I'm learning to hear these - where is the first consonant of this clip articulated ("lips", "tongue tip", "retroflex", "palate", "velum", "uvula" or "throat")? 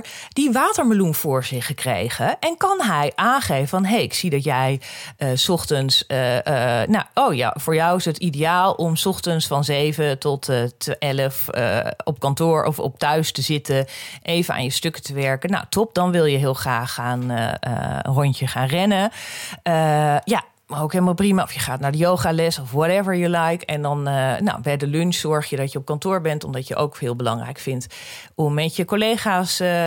tongue tip